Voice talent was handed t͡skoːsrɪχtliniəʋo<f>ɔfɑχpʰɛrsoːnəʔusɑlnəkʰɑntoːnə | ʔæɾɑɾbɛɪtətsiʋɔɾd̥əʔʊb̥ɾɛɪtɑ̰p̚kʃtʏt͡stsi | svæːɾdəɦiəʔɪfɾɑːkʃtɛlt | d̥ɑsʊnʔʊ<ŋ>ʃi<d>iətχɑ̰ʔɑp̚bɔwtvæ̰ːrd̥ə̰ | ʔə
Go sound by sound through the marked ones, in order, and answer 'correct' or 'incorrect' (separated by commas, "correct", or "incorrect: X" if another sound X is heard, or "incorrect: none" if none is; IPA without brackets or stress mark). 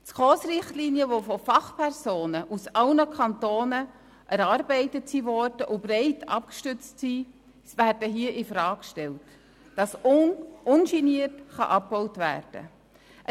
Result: correct, incorrect: n, incorrect: n